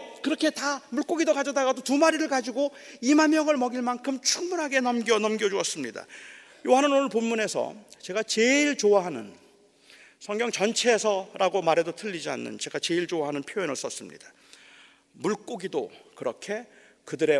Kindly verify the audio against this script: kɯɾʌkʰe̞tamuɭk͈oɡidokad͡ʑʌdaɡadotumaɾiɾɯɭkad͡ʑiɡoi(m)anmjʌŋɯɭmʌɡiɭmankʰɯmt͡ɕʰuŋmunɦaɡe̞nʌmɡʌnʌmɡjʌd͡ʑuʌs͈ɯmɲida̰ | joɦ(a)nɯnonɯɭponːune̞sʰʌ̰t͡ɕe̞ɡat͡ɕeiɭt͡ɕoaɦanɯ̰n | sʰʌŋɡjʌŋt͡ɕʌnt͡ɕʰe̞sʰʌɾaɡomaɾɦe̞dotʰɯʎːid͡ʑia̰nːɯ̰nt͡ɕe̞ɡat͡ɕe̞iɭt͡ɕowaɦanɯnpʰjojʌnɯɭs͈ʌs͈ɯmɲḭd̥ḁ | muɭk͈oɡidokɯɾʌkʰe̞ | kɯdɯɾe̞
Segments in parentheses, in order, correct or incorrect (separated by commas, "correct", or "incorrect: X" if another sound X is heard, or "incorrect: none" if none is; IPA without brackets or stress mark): correct, correct